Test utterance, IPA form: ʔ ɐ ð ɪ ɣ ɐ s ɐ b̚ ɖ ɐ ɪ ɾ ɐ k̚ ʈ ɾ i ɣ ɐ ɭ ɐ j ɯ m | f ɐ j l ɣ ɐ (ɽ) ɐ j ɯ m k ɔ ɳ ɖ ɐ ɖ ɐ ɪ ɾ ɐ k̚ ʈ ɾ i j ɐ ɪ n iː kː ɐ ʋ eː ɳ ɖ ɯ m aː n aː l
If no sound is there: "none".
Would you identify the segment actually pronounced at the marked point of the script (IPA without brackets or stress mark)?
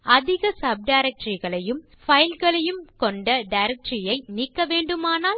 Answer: ɭ